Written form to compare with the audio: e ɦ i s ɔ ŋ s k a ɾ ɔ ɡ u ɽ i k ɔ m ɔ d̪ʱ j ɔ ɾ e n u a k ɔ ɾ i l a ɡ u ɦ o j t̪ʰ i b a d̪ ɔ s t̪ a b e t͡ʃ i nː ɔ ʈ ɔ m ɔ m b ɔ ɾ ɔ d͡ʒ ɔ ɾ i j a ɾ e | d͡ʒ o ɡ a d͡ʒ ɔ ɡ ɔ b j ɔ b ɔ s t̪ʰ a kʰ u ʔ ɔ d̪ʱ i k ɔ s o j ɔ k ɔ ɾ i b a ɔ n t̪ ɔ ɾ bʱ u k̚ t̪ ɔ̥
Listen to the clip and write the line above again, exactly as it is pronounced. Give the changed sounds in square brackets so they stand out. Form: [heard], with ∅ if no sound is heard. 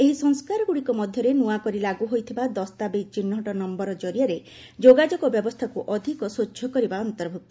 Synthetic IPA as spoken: e ɦ i s ɔ ŋ s k a ɾ ɔ ɡ u ɽ i k ɔ m ɔ d̪ʱ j ɔ ɾ e n u a k ɔ ɾ i l a ɡ u ɦ o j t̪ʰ i b a d̪ ɔ s t̪ a b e t͡ʃ i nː ɔ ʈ ɔ [n] ɔ m b ɔ ɾ ɔ d͡ʒ ɔ ɾ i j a ɾ e | d͡ʒ o ɡ a d͡ʒ ɔ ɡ ɔ b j ɔ b ɔ s t̪ʰ a [k] u ʔ ɔ d̪ʱ i k ɔ s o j ɔ k ɔ ɾ i b a ɔ n t̪ ɔ ɾ bʱ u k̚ t̪ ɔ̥

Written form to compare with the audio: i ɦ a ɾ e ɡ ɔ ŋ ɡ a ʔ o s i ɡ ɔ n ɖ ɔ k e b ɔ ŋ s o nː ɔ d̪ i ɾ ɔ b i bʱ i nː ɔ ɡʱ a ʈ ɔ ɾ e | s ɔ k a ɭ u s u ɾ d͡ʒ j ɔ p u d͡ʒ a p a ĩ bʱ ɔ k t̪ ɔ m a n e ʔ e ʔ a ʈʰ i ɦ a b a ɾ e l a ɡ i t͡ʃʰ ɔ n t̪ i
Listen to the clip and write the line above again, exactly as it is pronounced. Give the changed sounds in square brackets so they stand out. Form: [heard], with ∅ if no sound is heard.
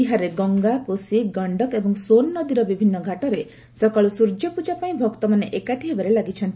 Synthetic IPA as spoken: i ɦ a ɾ e ɡ ɔ ŋ ɡ a [k] o s i ɡ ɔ [ɳ] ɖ ɔ k e b ɔ ŋ s o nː ɔ d̪ i ɾ ɔ b i bʱ i nː ɔ ɡʱ a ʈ ɔ ɾ e | s ɔ k a ɭ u s u ɾ d͡ʒ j ɔ p u d͡ʒ a p a ĩ bʱ ɔ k t̪ ɔ m a n e ʔ e [k] a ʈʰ i ɦ [e] b a ɾ e l a ɡ i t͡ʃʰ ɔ n t̪ i

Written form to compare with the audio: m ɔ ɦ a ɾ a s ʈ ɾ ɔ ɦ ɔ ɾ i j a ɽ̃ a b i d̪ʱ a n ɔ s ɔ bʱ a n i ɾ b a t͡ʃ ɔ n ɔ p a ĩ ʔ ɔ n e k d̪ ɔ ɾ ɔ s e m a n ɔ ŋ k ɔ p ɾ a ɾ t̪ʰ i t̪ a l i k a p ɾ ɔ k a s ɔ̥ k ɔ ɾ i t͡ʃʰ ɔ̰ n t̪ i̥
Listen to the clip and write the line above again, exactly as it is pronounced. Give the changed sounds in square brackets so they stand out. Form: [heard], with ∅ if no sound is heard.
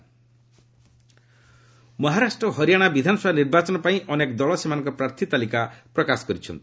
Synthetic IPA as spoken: m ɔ ɦ a ɾ a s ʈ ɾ ɔ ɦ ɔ ɾ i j a ɽ̃ a b i d̪ʱ a n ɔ s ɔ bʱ a n i ɾ b a t͡ʃ ɔ n ɔ p a ĩ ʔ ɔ n e k d̪ ɔ [ɭ] ɔ s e m a n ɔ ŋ k ɔ p ɾ a ɾ t̪ʰ i t̪ a l i k a p ɾ ɔ k a s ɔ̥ k ɔ ɾ i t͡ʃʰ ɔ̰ n t̪ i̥

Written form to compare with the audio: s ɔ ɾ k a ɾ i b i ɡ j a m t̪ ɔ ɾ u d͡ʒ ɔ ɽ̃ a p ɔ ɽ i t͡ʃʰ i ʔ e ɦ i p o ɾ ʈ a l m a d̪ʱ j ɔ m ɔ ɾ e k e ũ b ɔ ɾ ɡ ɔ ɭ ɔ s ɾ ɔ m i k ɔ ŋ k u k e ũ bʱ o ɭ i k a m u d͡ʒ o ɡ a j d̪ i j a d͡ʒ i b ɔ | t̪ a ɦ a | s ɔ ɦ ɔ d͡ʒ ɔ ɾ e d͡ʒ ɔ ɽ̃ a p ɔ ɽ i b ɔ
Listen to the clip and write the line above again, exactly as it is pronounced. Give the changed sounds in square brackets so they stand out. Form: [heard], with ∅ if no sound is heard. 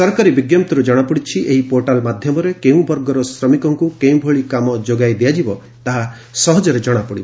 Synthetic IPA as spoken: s ɔ ɾ k a ɾ i b i ɡ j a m t̪ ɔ ɾ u d͡ʒ ɔ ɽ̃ a p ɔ ɽ i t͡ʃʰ i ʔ e ɦ i p o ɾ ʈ a l m a d̪ʱ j ɔ m ɔ ɾ e k e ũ b ɔ ɾ ɡ ɔ [ɾ] ɔ s ɾ ɔ m i k ɔ ŋ k u k e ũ bʱ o ɭ i k a m [ɔ] d͡ʒ o ɡ a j d̪ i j a d͡ʒ i b ɔ | t̪ a ɦ a | s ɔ ɦ ɔ d͡ʒ ɔ ɾ e d͡ʒ ɔ ɽ̃ a p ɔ ɽ i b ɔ

